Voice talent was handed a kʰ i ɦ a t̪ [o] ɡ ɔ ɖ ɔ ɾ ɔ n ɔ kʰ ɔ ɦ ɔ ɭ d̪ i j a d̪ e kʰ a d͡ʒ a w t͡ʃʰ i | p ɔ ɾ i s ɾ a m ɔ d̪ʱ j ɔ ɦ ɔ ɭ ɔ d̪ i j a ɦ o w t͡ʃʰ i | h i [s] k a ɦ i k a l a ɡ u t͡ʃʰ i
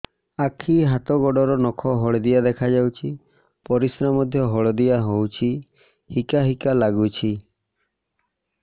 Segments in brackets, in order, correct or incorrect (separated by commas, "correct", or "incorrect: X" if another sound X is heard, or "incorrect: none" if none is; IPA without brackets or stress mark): incorrect: ɔ, incorrect: none